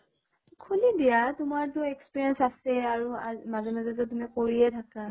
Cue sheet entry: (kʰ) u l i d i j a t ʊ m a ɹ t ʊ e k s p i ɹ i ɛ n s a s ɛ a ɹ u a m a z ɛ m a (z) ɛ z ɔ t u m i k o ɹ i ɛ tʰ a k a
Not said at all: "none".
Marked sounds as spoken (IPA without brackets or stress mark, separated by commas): kʰ, z